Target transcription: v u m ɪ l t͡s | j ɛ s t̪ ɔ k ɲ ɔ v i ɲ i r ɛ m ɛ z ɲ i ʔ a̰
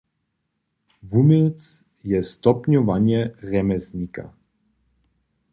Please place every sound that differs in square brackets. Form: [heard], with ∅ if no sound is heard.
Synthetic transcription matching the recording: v u m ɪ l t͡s | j ɛ s t̪ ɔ [p] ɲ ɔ v [a] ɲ [ɛ] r ɛ m ɛ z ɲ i [k] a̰